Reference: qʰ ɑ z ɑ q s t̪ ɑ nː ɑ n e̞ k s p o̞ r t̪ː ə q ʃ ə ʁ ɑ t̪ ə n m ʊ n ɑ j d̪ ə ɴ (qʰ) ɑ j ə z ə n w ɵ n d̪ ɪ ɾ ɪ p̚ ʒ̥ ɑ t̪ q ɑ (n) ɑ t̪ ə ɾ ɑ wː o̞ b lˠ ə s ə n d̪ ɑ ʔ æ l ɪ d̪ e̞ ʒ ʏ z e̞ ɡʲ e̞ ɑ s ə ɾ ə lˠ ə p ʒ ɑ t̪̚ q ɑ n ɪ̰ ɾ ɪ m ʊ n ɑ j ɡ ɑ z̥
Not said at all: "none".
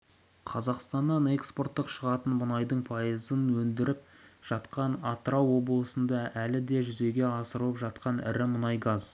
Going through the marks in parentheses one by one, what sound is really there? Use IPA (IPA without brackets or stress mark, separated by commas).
pʰ, n